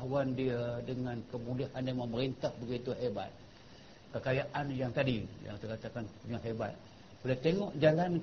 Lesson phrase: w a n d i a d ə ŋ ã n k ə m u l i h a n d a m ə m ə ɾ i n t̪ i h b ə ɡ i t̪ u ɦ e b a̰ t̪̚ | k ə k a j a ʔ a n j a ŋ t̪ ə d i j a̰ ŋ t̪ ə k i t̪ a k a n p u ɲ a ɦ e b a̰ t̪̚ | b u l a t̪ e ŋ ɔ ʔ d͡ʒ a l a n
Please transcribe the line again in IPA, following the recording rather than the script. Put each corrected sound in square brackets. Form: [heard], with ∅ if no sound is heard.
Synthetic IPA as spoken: w a n d i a d ə ŋ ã n k ə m u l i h a n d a m ə m ə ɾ i n t̪ [a] h b ə ɡ i t̪ u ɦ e b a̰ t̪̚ | k ə k a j a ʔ a n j a ŋ t̪ [a] d i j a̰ ŋ t̪ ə k [a] t̪ a k a n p u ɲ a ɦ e b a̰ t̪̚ | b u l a t̪ e ŋ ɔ ʔ d͡ʒ a l a n